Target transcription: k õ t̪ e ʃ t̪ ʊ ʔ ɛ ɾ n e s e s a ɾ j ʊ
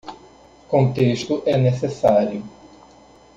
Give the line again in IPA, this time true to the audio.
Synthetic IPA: k õ t̪ e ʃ t̪ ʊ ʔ ɛ n e s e s a ɾ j ʊ